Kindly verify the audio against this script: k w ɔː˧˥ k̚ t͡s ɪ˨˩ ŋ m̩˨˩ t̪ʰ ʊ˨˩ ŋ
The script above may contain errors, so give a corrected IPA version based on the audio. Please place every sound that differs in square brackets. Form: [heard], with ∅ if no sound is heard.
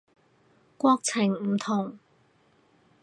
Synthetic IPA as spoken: k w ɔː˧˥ k̚ [t͡sʰ] ɪ˨˩ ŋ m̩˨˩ t̪ʰ ʊ˨˩ ŋ